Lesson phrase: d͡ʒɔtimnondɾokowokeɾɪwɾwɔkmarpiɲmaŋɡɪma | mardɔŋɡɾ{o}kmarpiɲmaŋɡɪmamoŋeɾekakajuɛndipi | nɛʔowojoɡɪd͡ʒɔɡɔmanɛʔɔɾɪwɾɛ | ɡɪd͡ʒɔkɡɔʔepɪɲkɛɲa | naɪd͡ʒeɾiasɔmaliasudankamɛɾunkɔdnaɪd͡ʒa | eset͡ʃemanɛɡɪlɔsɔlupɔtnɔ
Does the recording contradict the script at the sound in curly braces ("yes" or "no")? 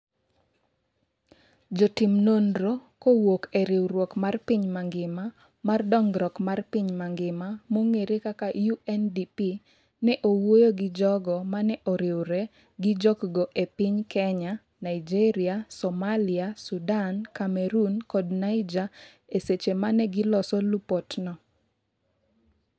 yes